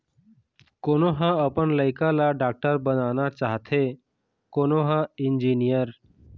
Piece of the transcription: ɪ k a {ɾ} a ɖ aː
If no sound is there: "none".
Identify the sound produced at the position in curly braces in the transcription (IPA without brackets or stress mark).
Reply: l